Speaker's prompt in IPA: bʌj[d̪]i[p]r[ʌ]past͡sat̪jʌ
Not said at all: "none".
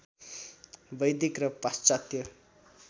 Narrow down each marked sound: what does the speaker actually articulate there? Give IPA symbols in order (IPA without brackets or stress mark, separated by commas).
d̪, k, ʌ